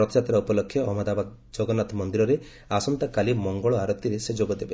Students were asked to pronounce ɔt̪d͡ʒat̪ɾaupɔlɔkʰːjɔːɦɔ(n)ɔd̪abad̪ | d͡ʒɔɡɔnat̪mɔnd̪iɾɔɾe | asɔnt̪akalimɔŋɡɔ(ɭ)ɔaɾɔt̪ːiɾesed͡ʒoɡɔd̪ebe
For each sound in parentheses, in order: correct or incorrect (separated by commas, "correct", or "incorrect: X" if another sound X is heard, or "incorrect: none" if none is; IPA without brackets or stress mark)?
incorrect: m, correct